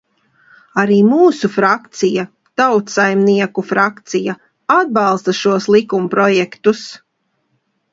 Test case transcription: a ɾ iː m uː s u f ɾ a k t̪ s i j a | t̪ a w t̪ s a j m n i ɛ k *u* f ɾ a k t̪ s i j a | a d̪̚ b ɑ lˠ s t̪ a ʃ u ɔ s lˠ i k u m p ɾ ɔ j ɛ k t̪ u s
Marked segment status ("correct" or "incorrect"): correct